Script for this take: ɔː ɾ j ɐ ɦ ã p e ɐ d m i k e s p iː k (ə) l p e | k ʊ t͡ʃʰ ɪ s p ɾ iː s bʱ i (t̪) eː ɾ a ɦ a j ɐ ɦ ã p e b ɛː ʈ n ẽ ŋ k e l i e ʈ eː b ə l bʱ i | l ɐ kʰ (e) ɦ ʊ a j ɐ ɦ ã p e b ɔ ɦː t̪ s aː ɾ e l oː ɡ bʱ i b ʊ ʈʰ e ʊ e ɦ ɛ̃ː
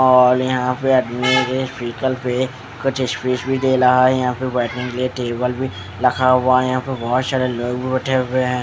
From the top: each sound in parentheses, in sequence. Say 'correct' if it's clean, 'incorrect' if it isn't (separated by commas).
correct, incorrect, incorrect